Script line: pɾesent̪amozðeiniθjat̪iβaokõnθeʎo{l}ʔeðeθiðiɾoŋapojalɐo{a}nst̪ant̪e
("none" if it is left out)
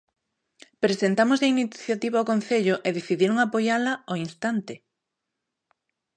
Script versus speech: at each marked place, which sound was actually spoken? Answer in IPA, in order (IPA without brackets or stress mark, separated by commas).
none, i